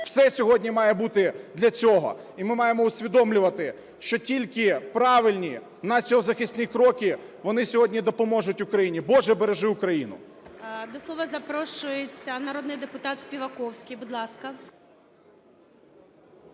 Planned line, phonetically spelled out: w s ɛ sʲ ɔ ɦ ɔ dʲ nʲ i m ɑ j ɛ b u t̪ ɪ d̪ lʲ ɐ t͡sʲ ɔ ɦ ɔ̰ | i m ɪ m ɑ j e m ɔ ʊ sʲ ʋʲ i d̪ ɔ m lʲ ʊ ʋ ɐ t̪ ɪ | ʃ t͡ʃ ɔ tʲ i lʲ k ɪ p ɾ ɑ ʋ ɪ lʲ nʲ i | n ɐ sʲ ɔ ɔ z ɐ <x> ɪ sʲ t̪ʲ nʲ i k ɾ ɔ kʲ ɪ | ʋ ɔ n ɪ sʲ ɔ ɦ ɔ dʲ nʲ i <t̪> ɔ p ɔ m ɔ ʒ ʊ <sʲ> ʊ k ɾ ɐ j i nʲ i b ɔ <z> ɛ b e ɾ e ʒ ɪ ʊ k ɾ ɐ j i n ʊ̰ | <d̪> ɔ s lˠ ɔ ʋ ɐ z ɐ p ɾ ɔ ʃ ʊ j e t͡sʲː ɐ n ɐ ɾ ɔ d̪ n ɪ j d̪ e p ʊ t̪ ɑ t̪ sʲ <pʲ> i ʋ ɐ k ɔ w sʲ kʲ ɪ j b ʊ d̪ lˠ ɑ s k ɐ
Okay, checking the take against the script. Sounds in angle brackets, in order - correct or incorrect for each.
correct, incorrect: d̪, incorrect: tʲ, incorrect: ʒ, correct, correct

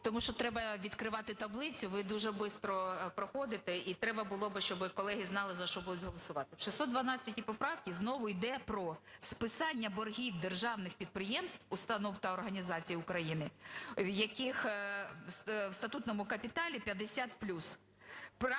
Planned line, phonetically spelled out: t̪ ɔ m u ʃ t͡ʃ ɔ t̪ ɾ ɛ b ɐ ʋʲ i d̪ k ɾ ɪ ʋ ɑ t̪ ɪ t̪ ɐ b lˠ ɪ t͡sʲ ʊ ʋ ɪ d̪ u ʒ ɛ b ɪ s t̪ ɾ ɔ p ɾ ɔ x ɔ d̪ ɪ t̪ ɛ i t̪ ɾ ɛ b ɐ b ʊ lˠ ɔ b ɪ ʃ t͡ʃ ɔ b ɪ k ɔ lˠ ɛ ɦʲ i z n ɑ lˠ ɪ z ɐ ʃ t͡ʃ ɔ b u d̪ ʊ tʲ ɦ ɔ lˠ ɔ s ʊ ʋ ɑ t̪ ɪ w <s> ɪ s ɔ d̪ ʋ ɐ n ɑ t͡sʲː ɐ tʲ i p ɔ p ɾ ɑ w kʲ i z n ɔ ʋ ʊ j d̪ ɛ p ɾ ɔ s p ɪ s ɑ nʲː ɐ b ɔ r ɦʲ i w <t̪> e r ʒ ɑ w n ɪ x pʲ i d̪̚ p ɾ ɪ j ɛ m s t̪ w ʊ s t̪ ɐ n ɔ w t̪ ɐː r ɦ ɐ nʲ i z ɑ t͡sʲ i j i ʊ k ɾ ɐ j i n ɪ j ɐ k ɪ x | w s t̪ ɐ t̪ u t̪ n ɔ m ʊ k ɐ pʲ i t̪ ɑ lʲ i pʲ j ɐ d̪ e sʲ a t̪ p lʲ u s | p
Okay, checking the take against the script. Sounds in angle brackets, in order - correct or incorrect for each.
incorrect: ʃ, incorrect: d̪

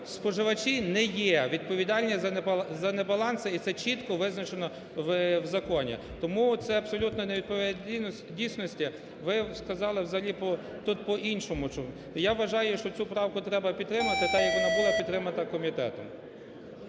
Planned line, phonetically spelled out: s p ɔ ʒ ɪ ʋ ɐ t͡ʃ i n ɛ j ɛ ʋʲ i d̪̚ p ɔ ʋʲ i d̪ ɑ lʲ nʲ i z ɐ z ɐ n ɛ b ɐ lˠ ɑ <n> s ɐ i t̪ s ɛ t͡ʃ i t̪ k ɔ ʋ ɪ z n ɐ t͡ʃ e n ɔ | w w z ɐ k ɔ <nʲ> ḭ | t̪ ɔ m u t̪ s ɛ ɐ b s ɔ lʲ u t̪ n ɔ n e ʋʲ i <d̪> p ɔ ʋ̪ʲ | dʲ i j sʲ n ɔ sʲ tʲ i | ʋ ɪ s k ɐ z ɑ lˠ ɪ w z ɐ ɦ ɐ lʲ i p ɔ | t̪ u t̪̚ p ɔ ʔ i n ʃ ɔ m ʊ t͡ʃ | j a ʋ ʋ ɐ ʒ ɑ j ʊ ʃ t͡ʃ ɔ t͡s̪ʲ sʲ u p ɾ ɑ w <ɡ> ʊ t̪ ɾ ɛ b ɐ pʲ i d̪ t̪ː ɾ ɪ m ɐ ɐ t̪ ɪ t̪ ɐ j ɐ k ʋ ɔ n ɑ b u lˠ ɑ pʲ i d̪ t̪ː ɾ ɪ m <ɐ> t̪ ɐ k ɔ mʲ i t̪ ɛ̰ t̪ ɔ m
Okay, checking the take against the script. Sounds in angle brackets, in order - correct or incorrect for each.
correct, correct, correct, incorrect: k, correct

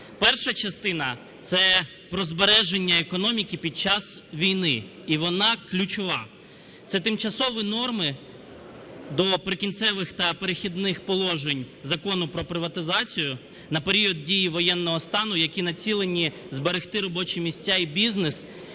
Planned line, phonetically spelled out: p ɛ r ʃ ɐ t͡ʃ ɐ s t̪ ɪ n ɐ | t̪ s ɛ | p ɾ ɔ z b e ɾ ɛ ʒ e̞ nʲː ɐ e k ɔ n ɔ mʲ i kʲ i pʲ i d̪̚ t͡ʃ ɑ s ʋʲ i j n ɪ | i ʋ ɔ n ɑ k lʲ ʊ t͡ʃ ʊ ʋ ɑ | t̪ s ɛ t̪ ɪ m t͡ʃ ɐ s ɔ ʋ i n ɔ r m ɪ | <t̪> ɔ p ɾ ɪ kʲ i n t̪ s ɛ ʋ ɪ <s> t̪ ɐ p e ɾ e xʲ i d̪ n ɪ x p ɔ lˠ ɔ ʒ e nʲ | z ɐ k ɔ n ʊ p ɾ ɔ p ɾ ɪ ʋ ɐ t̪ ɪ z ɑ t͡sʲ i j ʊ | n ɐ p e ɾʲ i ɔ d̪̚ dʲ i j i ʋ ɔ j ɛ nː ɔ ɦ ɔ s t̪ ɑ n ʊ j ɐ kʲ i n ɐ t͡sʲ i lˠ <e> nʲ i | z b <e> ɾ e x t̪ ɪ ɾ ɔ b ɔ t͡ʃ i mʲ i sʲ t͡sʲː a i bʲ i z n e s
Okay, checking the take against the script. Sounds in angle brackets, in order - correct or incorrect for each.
incorrect: d̪, incorrect: x, correct, correct

